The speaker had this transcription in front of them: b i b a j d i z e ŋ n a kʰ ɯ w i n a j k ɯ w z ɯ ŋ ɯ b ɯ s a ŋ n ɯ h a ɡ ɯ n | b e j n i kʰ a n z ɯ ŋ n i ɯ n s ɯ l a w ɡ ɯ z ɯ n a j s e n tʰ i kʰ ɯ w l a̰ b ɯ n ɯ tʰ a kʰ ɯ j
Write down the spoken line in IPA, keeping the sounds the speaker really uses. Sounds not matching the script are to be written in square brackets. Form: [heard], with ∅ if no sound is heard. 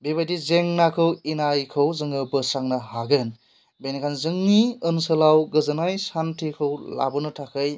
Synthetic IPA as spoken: b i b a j d i z e ŋ n a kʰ ɯ w i n a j [kʰ] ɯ w z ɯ ŋ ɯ b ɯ s a ŋ n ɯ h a ɡ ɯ n | b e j n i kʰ a n z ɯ ŋ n i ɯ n s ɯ l a w ɡ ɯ z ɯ n a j s [a] n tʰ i kʰ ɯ w l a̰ b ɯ n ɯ tʰ a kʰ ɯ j